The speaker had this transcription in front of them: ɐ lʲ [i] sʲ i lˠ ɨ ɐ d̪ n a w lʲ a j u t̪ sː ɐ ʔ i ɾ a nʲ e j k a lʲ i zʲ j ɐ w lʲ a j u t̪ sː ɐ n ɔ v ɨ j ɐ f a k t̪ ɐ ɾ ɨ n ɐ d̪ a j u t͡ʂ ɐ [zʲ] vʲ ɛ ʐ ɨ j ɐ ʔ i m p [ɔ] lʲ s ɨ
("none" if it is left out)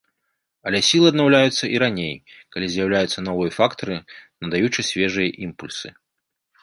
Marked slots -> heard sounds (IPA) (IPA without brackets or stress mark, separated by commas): ɛ, sʲ, u